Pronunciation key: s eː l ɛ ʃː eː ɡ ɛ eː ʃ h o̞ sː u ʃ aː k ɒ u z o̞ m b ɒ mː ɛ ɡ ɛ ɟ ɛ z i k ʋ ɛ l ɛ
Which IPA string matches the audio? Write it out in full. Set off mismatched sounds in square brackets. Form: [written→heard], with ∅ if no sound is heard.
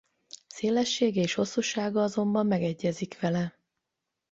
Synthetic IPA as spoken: s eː l ɛ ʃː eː ɡ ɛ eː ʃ h o̞ sː u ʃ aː [k→ɡ] ɒ [u→ɒ] z o̞ m b ɒ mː ɛ ɡ ɛ [ɟ→ɟː] ɛ z i k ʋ ɛ l ɛ